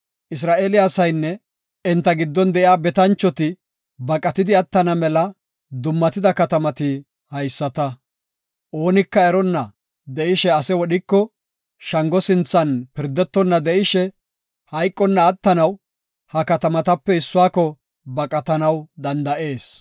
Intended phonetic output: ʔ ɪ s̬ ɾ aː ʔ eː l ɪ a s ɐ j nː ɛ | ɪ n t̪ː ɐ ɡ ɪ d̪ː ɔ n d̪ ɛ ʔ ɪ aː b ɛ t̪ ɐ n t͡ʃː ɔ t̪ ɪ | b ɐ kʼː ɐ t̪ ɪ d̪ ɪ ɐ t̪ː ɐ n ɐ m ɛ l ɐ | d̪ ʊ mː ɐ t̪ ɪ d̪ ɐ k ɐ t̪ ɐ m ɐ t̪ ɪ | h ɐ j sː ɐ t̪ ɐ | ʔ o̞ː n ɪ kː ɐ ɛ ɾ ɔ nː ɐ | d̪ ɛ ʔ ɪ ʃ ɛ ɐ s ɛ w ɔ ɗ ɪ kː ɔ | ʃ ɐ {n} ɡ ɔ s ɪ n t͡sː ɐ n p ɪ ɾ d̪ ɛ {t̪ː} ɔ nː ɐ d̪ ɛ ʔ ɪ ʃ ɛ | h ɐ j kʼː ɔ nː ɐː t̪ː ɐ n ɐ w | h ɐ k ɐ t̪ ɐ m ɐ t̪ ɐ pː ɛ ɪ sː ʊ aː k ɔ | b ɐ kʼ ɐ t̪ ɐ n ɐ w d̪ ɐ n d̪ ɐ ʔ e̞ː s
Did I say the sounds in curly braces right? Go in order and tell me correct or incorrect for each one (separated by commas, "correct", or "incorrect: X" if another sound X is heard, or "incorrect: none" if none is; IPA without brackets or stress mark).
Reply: incorrect: ŋ, correct